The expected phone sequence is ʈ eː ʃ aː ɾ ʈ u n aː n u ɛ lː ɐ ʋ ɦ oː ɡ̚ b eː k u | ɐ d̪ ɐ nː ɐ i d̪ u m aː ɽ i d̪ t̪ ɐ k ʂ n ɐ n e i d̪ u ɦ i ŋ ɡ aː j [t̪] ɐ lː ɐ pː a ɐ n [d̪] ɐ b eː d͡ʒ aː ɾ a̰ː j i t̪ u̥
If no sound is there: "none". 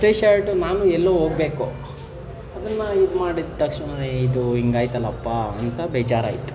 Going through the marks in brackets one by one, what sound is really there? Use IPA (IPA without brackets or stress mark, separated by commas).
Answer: t̪, t̪